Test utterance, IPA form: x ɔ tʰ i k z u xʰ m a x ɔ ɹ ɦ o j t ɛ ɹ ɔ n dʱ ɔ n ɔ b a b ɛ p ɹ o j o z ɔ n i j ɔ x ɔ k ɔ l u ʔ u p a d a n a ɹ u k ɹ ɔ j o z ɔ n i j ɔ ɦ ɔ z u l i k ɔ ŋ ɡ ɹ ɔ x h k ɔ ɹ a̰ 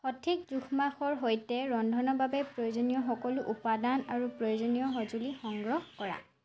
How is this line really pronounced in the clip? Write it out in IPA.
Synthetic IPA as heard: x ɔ tʰ i k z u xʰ m a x ɔ ɹ ɦ o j t ɛ ɹ ɔ n dʱ ɔ n ɔ b a b ɛ p ɹ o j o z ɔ n i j ɔ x ɔ k ɔ l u ʔ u p a d a n a ɹ u p ɹ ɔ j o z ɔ n i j ɔ ɦ ɔ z u l i x ɔ ŋ ɡ ɹ ɔ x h k ɔ ɹ a̰